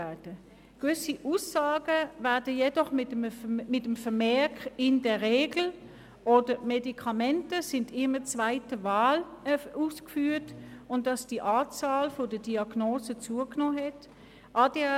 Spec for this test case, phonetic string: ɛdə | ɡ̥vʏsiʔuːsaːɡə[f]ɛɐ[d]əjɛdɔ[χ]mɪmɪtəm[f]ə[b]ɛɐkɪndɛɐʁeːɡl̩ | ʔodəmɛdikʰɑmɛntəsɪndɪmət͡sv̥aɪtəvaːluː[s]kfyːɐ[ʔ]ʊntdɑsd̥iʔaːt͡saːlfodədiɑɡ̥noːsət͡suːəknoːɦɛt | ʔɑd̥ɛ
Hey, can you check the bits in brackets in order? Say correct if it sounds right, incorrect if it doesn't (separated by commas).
incorrect, correct, correct, correct, incorrect, correct, incorrect